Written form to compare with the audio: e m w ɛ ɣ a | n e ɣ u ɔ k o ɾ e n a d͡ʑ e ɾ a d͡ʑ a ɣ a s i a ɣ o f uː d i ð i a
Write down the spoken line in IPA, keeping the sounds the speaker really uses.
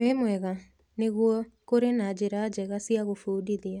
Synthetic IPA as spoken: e m w ɛ ɣ a | n e ɣ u ɔ k o ɾ e n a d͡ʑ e ɾ a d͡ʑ ɛ ɣ a s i a ɣ o f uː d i ð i a